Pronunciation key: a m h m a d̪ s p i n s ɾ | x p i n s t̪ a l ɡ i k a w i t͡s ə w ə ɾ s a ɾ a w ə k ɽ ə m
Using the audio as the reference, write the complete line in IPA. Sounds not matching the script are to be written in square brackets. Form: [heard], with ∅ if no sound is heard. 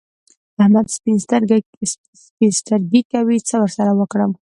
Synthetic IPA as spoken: a [∅] h m a d̪ s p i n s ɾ | [s] p i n s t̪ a [ɾ] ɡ i k a w i t͡s ə w ə ɾ s a ɾ a w ə k ɽ ə m